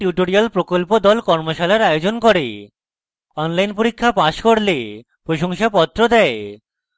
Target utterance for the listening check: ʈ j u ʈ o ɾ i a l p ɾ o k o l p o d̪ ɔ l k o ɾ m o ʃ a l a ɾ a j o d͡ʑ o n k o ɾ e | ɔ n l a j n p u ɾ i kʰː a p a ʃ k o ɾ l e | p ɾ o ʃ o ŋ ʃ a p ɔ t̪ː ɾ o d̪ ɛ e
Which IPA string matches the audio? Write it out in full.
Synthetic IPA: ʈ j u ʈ o ɾ i a l p ɾ o k o l p o d̪ ɔ l k ɔ ɾ m o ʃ a l a ɾ a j o d͡ʑ o n k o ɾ e | ɔ n l a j n p o ɾ i kʰː a p a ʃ k o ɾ l e | p ɾ o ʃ o ŋ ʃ a p ɔ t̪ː ɾ o d̪ ɛ e

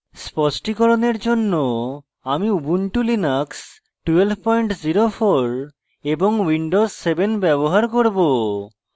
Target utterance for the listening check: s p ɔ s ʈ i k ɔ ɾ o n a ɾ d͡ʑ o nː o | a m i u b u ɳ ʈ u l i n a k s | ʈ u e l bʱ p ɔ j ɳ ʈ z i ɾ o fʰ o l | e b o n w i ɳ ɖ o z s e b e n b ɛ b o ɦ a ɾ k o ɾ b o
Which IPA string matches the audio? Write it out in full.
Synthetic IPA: s p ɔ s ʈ i k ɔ ɾ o n e ɾ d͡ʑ o nː o | a m i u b u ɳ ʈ u l i n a k s | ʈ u e l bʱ p ɔ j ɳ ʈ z i ɾ o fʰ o ɾ | e b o ŋ w i ɳ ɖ o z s e b e n b ɛ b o ɦ a ɾ k o ɾ b o

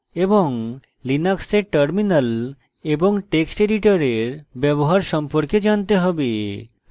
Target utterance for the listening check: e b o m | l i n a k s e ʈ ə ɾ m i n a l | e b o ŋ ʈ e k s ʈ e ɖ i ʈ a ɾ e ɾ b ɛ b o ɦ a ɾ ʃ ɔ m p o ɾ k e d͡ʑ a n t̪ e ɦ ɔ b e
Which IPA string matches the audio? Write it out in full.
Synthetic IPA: e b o ŋ | l i n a k s e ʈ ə ɾ m i n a l | e b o ŋ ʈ e k s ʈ e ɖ i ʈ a ɾ e ɾ b ɛ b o ɦ a ɾ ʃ ɔ m p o ɾ k e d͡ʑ a n t̪ e ɦ ɔ b e

